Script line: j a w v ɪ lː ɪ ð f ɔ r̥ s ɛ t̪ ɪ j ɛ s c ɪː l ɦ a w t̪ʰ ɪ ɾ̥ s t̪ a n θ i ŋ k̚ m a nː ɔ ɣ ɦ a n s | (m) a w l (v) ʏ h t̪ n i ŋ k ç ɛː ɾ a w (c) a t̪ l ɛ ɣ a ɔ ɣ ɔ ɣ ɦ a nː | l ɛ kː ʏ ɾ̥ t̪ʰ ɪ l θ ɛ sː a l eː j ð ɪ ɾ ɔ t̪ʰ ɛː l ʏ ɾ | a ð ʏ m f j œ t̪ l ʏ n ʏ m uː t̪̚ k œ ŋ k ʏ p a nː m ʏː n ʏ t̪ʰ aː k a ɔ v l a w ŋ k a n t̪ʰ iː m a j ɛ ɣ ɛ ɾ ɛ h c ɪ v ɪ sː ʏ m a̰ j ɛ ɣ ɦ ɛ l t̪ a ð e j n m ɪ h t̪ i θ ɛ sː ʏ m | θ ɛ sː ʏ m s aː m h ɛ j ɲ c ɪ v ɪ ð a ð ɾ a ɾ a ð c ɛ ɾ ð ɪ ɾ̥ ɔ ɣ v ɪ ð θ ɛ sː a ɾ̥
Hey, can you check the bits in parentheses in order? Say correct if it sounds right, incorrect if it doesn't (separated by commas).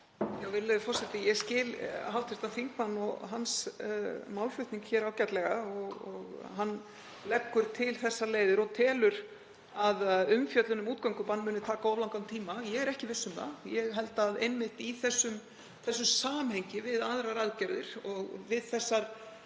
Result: correct, incorrect, correct